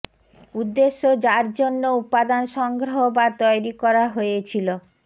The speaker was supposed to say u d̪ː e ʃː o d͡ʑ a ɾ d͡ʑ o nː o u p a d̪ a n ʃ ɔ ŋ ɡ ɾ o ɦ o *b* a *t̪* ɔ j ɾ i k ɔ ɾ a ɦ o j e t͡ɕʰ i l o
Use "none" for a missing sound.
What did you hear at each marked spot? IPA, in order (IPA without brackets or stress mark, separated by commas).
b, t̪